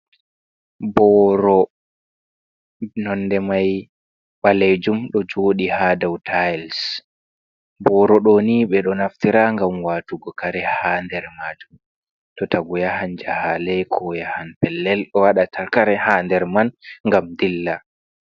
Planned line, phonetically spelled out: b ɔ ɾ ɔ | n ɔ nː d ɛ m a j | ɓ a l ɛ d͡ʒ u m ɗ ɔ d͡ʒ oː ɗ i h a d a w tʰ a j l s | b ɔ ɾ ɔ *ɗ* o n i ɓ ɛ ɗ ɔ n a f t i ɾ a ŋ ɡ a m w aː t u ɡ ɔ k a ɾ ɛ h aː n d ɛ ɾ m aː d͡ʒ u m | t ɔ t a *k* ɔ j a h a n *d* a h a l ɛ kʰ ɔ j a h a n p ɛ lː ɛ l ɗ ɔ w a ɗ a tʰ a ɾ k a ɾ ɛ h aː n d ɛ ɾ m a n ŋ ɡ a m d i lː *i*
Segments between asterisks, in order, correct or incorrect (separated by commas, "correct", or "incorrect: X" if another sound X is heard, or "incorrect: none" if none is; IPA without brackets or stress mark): correct, incorrect: ɡ, incorrect: d͡ʒ, incorrect: a